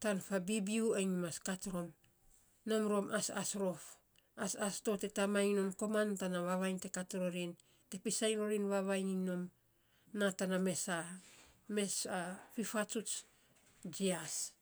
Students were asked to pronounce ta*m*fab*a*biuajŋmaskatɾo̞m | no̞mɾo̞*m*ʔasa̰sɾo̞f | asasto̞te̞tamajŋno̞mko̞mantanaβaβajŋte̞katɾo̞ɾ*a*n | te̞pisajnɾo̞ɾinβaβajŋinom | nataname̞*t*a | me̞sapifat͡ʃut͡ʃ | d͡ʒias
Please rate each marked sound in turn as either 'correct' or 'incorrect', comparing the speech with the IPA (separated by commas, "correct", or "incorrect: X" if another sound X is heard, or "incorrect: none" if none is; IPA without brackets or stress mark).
incorrect: n, incorrect: i, correct, incorrect: i, incorrect: s